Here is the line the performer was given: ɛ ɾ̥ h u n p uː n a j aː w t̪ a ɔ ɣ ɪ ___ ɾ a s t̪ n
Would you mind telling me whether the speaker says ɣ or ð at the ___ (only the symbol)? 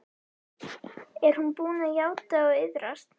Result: ð